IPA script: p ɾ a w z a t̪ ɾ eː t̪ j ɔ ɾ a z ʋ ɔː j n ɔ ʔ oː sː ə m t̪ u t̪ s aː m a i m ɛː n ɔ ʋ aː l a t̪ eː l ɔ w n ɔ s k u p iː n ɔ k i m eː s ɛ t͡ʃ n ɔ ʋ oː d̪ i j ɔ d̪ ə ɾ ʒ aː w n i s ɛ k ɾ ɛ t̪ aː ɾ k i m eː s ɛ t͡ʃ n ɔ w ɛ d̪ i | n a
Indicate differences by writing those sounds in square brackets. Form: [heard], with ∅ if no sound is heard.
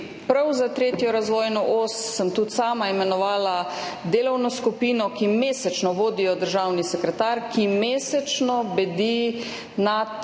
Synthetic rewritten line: p ɾ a w z a t̪ ɾ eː t̪ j ɔ ɾ a z ʋ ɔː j n ɔ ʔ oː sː ə m t̪ u t̪ s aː m a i m [ɛ] n ɔ ʋ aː l a [d̪] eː l ɔ w n ɔ s k u p iː n ɔ k i m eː s ɛ t͡ʃ n ɔ ʋ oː d̪ i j ɔ d̪ ə ɾ ʒ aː w n i s ɛ k ɾ ɛ t̪ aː ɾ k i m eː s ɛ t͡ʃ n ɔ [b] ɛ d̪ i | n a